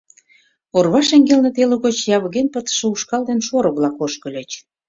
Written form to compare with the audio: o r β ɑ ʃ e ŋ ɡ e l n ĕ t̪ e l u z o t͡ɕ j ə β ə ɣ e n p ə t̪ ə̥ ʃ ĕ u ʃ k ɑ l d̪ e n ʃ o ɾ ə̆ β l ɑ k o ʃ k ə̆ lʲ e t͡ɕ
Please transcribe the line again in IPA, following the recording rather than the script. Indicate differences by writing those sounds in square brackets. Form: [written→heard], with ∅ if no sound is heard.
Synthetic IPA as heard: o r β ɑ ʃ e ŋ ɡ e l n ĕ t̪ e l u [z→ɣ] o t͡ɕ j [ə→ɑ] β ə ɣ e n p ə t̪ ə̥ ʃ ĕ u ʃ k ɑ l d̪ e n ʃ o ɾ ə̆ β l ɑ k o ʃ k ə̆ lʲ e t͡ɕ